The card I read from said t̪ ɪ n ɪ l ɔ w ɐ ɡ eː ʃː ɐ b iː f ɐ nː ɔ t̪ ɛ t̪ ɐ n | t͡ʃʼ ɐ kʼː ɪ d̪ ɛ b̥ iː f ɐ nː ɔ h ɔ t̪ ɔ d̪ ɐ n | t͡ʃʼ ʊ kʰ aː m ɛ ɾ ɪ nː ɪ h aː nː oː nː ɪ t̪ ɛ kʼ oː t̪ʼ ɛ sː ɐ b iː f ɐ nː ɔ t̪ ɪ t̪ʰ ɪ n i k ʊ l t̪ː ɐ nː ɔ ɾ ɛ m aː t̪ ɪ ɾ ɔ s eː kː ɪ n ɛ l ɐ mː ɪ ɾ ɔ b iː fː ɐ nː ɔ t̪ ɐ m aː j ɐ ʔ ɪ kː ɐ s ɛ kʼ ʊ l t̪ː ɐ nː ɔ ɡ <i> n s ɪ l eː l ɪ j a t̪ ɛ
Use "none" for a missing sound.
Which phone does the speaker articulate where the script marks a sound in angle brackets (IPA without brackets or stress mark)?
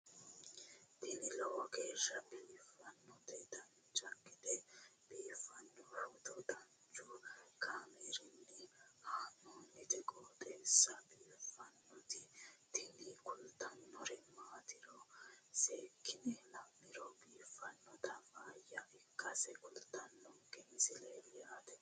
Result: ɛ